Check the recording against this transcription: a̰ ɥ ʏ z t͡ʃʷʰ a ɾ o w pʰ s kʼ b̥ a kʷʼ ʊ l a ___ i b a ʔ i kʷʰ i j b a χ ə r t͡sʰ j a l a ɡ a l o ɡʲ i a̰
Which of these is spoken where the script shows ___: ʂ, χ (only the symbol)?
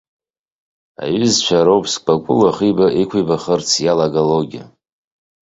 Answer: χ